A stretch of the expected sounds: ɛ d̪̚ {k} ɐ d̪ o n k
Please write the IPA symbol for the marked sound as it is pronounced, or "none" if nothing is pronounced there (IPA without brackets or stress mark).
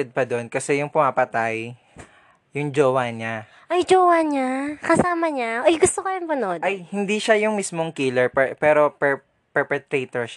p